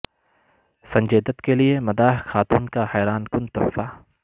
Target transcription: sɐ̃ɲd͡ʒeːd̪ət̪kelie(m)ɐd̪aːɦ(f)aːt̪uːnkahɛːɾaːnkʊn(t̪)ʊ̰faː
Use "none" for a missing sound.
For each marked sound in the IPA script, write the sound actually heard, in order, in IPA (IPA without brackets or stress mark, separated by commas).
m, x, t̪